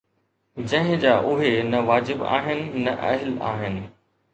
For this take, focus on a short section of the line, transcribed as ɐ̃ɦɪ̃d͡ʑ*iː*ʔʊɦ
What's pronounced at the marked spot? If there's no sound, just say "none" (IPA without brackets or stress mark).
aː